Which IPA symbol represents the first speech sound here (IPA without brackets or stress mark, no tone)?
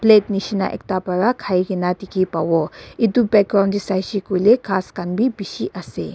p